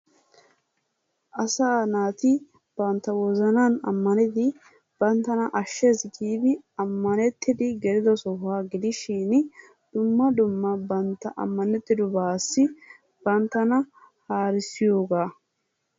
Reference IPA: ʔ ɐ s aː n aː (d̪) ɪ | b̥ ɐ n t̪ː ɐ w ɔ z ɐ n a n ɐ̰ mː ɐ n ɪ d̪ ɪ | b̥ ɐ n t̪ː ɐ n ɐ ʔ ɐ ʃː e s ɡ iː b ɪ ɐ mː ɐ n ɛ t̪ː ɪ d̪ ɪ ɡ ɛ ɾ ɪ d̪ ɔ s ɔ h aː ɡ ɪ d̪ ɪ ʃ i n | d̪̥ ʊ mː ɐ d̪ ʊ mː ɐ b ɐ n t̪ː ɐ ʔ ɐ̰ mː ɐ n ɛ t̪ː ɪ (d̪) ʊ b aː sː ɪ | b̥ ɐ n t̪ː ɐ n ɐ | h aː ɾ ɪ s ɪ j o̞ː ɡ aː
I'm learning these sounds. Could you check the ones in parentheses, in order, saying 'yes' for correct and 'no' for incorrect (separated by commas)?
no, yes